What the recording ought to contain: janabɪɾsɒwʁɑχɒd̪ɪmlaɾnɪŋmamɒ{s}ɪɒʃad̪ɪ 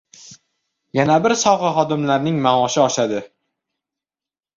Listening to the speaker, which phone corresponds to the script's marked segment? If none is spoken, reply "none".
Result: ʃ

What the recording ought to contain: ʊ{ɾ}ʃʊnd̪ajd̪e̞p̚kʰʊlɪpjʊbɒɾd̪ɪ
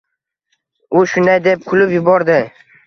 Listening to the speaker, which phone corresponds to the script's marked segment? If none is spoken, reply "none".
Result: none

